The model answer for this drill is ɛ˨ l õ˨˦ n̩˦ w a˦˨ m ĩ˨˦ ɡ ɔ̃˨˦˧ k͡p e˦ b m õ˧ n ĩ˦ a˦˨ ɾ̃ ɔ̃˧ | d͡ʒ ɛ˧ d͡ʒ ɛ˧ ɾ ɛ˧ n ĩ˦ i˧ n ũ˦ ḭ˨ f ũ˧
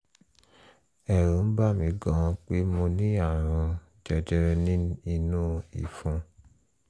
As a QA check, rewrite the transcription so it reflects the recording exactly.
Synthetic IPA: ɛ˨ ɾ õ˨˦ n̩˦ b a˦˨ m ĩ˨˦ ɡ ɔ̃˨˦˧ k͡p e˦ m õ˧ n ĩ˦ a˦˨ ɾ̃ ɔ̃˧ | d͡ʒ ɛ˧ d͡ʒ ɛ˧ ɾ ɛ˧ n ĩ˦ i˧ n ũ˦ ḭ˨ f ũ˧